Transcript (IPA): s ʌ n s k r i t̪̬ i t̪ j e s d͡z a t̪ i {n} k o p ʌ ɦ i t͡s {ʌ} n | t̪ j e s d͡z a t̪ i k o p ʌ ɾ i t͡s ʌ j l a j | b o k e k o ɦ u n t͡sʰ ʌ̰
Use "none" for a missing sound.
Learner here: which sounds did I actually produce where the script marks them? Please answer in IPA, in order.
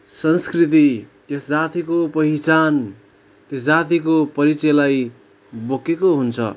none, a

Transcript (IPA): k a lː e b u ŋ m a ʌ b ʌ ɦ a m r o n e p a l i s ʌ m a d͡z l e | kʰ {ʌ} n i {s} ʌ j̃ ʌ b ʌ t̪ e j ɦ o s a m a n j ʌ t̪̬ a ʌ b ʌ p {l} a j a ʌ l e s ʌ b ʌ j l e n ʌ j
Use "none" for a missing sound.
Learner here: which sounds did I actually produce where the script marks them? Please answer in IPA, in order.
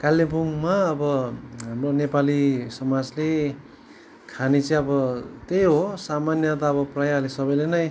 a, t͡s, r

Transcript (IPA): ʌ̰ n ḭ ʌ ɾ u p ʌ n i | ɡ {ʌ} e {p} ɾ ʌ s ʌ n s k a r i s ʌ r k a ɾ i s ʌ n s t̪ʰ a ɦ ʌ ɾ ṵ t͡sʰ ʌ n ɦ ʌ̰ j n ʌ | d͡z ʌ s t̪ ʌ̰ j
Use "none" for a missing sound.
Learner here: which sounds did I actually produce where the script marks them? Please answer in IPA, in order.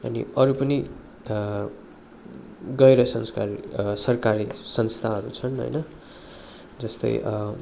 ʌ, none

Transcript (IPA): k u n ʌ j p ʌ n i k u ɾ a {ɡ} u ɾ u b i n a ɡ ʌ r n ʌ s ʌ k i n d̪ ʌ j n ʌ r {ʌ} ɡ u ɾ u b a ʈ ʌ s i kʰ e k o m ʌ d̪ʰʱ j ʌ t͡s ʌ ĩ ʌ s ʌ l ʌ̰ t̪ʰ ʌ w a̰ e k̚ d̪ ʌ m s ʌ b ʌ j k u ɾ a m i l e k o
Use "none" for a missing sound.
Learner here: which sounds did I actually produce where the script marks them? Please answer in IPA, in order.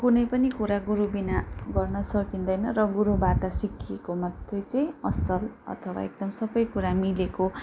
ɡ, ʌ

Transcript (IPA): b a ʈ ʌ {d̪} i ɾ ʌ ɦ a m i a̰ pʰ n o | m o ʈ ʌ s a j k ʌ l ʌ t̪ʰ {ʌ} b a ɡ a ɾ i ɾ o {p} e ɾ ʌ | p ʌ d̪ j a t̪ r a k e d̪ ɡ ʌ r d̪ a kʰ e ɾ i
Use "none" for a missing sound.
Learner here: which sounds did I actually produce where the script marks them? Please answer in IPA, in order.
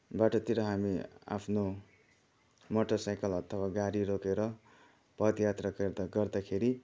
t̪, ʌ, k

